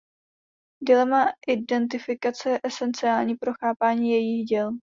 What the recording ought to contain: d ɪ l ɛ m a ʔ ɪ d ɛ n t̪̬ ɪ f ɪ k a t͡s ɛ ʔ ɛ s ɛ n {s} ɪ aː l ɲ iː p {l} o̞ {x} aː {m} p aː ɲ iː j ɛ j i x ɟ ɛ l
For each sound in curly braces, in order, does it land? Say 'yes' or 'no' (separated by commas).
no, no, yes, no